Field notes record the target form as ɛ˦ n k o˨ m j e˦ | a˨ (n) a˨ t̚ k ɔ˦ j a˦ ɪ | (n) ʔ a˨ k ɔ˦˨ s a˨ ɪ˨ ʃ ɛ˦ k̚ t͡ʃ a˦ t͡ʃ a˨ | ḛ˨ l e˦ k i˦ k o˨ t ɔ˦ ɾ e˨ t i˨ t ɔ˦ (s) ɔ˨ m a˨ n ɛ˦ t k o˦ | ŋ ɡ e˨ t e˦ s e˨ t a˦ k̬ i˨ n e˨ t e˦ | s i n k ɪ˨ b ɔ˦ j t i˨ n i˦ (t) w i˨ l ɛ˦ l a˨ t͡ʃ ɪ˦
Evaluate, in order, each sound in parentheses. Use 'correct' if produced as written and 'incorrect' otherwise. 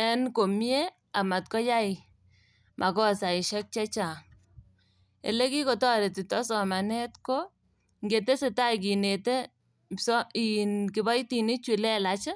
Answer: incorrect, incorrect, correct, incorrect

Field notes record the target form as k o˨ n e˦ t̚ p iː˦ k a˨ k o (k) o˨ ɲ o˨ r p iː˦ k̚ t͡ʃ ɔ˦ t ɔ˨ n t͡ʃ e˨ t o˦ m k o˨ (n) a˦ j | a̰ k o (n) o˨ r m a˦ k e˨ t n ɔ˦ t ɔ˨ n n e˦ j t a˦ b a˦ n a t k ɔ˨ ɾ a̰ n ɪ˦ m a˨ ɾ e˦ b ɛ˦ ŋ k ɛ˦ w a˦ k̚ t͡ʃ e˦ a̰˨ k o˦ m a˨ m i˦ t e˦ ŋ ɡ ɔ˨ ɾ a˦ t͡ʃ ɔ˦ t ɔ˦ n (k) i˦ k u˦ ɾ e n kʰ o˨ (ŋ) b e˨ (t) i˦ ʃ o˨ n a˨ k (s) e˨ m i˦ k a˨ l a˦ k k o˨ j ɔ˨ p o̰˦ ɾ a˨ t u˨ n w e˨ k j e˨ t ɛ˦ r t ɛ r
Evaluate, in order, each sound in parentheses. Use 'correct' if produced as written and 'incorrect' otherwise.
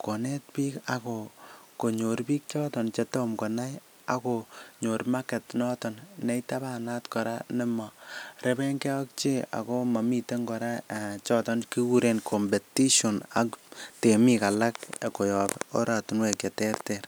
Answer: correct, correct, incorrect, correct, incorrect, correct, incorrect

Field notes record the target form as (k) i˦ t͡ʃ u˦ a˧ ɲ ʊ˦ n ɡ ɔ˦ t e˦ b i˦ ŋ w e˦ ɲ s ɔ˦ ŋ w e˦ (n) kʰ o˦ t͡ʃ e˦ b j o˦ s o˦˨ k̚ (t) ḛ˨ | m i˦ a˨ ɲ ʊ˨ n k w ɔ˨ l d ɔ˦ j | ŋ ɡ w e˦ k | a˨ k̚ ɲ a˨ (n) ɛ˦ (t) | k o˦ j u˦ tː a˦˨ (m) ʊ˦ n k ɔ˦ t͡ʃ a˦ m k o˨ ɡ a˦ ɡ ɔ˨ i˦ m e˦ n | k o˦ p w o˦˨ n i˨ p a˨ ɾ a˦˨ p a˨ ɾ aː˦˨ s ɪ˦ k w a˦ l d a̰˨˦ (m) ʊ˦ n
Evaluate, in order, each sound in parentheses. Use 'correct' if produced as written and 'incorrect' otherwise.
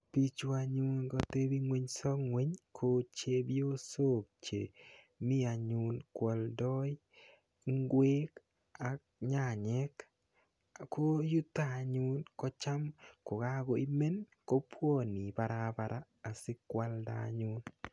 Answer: incorrect, incorrect, incorrect, incorrect, incorrect, incorrect, incorrect

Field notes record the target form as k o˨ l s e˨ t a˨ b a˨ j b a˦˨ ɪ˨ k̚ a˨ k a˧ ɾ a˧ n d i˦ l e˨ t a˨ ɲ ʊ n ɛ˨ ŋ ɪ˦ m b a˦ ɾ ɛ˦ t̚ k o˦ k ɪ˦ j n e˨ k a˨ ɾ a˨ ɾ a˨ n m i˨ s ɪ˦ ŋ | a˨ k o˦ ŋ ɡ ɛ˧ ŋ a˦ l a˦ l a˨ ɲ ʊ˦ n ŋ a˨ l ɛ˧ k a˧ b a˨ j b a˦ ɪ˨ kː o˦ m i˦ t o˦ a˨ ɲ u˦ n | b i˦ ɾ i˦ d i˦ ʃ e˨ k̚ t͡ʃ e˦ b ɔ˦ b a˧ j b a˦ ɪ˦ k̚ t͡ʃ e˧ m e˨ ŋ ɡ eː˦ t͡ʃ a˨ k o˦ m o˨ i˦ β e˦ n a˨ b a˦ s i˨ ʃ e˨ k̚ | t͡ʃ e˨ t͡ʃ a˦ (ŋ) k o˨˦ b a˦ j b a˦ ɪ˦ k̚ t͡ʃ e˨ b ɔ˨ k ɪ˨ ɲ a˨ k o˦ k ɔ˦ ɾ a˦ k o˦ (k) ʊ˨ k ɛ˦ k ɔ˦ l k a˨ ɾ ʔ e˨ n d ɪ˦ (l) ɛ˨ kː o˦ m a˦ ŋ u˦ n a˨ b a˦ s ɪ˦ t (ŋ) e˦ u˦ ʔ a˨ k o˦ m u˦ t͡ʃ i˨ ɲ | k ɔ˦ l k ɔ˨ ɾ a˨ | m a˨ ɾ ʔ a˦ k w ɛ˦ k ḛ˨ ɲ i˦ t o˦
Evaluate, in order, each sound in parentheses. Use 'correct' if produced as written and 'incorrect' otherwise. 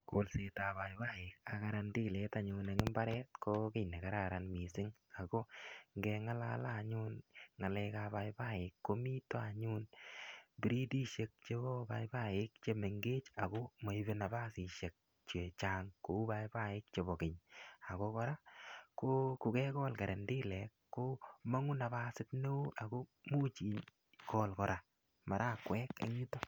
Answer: correct, correct, correct, incorrect

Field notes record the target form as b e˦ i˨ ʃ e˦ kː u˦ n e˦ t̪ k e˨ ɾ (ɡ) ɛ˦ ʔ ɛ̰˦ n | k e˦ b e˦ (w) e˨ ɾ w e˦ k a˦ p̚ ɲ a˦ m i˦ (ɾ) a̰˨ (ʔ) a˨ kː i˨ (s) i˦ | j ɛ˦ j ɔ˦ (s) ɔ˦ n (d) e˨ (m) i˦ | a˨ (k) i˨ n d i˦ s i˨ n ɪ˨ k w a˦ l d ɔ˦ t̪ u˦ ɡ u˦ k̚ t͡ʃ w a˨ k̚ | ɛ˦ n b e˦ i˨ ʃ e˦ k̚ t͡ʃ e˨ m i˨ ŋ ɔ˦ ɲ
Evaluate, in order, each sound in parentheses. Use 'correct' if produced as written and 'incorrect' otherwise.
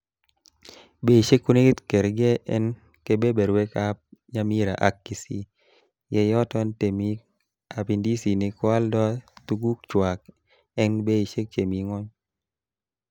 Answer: correct, incorrect, correct, correct, correct, incorrect, incorrect, correct, incorrect

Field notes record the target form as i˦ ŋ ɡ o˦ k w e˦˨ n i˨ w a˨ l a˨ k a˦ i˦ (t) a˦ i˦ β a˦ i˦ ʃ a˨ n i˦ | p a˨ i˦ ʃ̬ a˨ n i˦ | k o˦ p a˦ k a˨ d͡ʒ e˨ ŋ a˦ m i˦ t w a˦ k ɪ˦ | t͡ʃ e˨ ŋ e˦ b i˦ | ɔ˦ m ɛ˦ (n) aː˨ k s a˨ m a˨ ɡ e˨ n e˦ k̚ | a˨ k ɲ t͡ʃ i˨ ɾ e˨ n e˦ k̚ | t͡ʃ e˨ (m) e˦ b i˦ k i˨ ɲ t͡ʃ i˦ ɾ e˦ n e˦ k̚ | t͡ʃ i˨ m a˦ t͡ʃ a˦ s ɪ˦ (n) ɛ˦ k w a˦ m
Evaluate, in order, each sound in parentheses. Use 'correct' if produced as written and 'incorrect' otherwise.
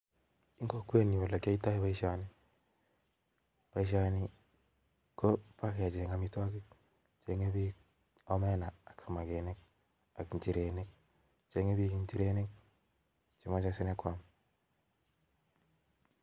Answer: correct, correct, incorrect, correct

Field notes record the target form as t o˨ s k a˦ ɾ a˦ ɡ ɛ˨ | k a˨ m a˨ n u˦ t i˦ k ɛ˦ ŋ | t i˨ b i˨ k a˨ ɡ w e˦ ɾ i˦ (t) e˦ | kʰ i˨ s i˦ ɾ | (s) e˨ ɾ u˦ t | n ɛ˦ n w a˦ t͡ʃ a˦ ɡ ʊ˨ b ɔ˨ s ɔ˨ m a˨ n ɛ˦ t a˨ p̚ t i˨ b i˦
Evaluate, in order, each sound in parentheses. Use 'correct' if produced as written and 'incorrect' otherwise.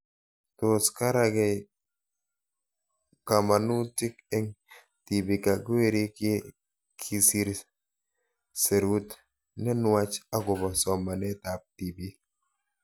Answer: incorrect, correct

